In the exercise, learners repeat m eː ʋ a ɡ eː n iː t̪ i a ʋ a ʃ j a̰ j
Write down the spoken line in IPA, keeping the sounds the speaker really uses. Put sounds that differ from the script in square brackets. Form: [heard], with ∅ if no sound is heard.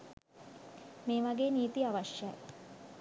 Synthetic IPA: m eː ʋ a ɡ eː n iː t̪ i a ʋ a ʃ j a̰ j